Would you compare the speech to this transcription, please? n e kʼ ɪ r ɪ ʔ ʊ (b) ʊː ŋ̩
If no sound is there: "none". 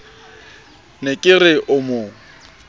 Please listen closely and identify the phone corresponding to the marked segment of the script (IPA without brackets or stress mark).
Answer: m